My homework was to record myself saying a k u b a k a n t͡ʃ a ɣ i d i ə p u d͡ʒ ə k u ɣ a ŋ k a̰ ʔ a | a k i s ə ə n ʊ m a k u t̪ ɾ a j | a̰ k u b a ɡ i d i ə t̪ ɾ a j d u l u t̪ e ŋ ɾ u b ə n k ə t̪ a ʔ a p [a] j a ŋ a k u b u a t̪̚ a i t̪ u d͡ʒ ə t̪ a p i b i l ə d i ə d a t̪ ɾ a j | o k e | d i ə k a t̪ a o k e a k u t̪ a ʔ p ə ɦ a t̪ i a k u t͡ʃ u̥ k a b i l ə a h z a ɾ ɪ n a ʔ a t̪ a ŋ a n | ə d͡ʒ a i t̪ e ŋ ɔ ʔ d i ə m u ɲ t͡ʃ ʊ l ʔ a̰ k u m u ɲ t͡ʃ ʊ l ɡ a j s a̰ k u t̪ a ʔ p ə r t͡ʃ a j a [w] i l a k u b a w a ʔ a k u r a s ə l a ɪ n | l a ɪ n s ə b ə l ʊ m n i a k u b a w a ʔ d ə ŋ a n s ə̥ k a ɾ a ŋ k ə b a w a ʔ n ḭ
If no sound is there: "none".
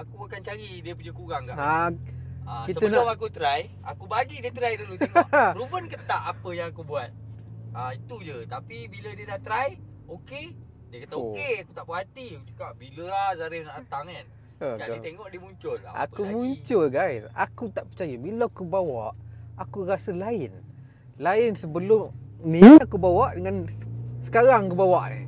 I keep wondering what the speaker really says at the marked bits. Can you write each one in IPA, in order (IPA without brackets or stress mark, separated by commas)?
ə, b